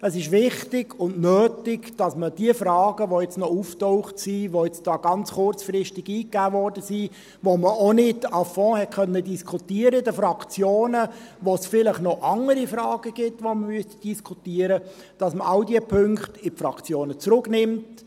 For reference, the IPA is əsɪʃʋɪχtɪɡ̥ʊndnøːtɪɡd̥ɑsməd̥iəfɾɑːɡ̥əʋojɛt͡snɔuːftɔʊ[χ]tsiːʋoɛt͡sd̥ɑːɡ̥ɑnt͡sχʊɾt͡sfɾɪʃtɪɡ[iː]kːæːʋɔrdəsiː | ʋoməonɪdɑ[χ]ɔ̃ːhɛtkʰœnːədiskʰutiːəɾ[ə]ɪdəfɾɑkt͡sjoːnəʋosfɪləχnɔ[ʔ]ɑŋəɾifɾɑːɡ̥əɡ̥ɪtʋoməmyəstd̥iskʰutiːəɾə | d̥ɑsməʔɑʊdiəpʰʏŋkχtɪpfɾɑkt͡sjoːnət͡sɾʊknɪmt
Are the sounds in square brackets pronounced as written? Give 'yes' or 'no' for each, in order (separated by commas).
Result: yes, yes, no, yes, yes